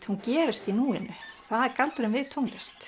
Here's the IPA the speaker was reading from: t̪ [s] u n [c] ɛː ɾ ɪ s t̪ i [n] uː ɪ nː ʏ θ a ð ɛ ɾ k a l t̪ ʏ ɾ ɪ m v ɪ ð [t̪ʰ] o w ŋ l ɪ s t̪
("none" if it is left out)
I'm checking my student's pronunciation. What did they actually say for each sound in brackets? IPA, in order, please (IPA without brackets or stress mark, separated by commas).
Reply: h, c, n, t̪ʰ